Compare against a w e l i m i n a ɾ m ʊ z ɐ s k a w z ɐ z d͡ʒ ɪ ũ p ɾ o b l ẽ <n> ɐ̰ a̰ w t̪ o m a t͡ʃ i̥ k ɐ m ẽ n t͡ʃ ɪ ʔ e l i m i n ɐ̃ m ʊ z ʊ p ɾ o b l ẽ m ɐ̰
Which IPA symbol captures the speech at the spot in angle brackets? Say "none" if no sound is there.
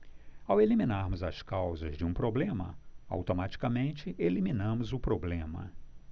m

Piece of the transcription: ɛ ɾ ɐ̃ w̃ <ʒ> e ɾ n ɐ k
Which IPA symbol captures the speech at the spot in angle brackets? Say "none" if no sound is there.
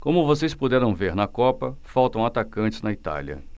v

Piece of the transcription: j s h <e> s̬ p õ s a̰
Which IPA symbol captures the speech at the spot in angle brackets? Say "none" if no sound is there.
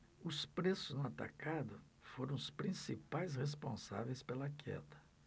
e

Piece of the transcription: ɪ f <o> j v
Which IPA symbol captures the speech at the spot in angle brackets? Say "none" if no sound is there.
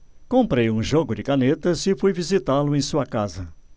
u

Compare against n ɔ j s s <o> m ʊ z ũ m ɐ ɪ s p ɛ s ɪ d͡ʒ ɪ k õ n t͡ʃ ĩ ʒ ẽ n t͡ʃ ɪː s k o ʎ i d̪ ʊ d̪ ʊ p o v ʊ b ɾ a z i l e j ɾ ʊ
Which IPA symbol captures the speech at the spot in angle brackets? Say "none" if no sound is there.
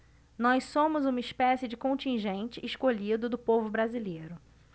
õ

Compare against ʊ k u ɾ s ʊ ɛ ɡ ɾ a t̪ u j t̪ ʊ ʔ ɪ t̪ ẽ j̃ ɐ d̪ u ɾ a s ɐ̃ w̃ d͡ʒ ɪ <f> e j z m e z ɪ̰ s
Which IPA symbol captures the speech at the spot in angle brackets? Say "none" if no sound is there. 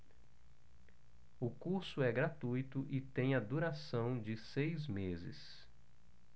s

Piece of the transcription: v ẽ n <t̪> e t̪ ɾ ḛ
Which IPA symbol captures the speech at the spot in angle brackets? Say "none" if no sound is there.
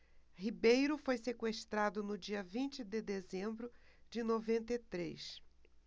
t̪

